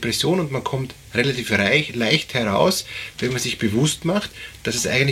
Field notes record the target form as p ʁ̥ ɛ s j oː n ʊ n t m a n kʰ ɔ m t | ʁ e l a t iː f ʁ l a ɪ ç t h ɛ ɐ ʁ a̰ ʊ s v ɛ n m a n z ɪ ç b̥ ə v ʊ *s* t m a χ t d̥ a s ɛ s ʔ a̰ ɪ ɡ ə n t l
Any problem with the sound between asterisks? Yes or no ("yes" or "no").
no